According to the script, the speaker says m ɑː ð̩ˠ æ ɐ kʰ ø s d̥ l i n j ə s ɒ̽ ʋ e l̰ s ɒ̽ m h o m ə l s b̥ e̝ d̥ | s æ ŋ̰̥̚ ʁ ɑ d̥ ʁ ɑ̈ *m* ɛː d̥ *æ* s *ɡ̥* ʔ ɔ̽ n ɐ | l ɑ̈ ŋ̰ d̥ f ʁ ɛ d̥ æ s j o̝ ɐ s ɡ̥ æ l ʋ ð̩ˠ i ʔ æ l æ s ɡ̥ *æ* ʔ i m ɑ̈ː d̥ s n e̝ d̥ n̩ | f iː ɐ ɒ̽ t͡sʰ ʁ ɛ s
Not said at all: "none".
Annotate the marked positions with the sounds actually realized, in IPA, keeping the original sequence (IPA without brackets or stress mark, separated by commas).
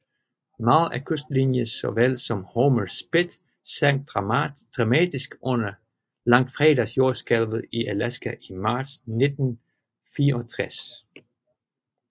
m, i, ɡ̥, æ